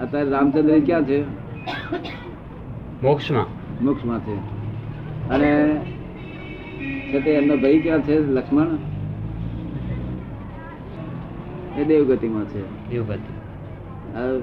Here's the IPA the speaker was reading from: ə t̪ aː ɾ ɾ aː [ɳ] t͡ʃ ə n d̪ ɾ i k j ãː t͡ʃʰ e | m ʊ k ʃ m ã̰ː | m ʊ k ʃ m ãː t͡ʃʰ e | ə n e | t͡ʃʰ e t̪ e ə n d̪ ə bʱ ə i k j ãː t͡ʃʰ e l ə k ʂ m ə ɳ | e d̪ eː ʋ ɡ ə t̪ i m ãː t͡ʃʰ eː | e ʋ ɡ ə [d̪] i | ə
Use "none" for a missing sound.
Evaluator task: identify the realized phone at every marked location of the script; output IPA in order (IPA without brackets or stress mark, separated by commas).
m, t̪